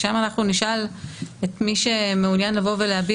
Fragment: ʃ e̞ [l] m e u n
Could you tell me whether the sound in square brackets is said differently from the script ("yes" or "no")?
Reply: yes